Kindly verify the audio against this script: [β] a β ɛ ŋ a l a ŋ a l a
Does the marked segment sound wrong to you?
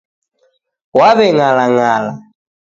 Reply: yes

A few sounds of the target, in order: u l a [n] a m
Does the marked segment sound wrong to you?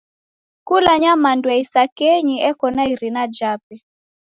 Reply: yes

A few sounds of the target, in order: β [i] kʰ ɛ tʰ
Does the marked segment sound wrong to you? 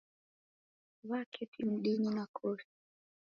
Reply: yes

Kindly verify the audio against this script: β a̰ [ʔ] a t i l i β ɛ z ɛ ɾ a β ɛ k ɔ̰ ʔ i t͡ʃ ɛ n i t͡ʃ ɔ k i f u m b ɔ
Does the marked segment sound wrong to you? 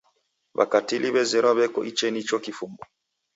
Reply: yes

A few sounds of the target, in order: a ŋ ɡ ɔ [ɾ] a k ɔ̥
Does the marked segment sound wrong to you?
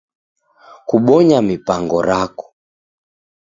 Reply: no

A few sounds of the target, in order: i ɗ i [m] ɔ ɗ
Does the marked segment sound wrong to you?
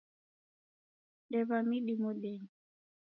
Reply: no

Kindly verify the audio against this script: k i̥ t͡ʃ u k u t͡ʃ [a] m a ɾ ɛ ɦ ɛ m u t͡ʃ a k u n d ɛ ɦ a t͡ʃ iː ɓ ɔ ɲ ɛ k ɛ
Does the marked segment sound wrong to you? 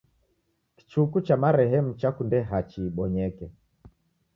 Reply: no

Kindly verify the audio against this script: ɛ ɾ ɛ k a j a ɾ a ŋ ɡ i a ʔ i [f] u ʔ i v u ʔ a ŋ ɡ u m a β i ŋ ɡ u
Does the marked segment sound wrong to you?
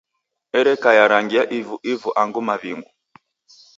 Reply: yes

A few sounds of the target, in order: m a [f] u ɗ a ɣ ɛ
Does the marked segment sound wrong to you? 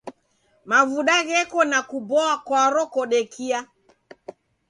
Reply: yes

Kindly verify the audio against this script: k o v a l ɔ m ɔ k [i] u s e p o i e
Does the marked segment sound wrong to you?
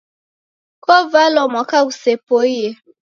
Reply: yes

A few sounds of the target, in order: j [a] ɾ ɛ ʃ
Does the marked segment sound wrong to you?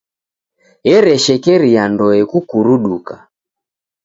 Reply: yes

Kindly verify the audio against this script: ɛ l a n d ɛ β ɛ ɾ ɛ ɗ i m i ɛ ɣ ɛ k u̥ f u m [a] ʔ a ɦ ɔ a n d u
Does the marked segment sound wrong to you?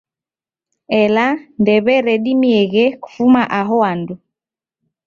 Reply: no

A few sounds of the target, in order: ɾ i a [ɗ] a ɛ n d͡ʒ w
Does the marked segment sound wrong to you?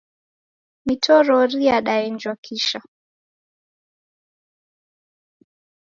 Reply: no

